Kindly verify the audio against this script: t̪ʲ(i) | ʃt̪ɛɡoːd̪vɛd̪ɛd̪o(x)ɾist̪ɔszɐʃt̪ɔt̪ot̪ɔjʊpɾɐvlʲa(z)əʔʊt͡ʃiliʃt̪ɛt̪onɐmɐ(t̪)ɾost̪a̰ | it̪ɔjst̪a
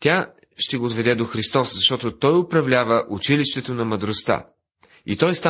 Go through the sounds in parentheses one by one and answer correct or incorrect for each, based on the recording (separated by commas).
incorrect, correct, incorrect, incorrect